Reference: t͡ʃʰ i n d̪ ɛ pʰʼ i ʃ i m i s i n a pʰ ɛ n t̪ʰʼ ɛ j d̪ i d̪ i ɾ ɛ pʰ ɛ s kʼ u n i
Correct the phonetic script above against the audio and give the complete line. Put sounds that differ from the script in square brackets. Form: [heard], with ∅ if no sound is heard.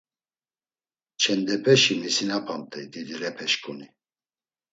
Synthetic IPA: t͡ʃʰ [ɛ] n d̪ ɛ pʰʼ [ɛ] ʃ i m i s i n a pʰ [a] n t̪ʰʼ ɛ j d̪ i d̪ i ɾ ɛ pʰ ɛ [ʃ] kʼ u n i